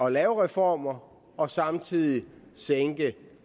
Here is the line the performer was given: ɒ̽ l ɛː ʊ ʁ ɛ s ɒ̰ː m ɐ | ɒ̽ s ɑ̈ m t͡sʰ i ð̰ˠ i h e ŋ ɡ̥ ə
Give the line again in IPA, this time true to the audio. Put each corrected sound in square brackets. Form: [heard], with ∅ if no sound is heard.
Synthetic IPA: ɒ̽ l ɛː ʊ ʁ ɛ [f] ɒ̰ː m ɐ | ɒ̽ s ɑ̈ m t͡sʰ i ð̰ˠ i [s] e ŋ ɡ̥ ə

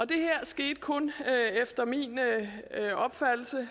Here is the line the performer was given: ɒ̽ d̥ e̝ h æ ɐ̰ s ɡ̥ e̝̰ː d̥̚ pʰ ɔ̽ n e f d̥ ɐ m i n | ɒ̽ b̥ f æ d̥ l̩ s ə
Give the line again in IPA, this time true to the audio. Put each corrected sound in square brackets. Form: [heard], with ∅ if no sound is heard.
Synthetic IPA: ɒ̽ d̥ e̝ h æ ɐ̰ s ɡ̥ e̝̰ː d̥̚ [kʰ] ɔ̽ n e f d̥ ɐ m i n | ɒ̽ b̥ f æ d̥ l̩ s ə

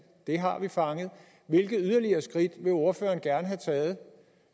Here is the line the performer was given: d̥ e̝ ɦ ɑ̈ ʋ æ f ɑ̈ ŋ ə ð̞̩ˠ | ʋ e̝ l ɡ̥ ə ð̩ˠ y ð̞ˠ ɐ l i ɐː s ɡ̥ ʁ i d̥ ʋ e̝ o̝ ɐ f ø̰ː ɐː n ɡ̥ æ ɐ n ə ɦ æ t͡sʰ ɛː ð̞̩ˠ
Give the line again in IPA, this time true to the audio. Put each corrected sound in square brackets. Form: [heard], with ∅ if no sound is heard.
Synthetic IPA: d̥ e̝ ɦ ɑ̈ ʋ [i] f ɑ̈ ŋ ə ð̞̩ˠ | ʋ e̝ l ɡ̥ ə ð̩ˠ y ð̞ˠ ɐ l i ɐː s ɡ̥ ʁ i d̥ ʋ e̝ o̝ ɐ f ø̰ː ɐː n ɡ̥ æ ɐ n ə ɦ æ t͡sʰ ɛː ð̞̩ˠ

